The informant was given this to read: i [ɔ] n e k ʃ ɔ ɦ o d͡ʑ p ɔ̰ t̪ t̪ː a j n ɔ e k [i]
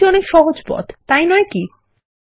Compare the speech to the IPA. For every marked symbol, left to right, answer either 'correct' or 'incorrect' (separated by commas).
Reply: correct, correct